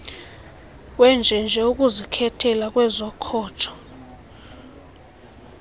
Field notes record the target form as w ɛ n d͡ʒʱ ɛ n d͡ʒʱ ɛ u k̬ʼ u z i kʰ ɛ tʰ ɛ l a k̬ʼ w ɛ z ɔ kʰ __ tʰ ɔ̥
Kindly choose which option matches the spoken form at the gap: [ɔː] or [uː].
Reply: ɔː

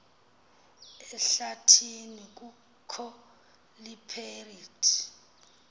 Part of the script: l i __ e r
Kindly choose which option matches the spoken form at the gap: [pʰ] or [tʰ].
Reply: pʰ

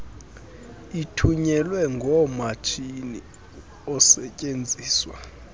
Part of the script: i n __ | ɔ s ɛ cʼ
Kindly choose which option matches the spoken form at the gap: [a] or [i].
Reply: i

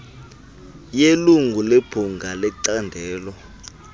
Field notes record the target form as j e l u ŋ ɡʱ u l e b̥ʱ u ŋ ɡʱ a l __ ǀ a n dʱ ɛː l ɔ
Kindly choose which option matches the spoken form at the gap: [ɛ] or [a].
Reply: ɛ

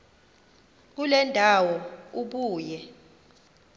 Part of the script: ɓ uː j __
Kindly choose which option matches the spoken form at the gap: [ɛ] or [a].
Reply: ɛ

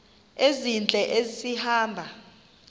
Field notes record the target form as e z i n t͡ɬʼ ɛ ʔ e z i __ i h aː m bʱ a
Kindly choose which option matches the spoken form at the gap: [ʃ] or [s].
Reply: s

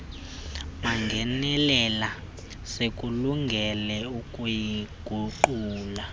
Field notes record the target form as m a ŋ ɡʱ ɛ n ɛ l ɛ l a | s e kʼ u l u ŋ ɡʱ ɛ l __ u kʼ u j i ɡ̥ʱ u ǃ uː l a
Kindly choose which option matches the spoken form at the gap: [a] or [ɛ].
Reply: ɛ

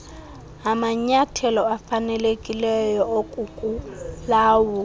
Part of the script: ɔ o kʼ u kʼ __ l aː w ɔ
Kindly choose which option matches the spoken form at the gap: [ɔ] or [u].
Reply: u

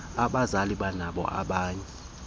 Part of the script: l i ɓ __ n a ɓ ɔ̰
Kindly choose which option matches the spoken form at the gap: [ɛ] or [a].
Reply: a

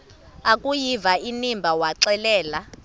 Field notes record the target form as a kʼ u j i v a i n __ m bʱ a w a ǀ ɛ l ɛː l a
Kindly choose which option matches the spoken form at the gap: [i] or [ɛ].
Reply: i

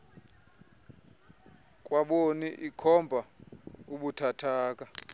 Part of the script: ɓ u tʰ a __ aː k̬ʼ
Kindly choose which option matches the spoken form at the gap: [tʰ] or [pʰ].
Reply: tʰ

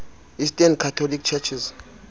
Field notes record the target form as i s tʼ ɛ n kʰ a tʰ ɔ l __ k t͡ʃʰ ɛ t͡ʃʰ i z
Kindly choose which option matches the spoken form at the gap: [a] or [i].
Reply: i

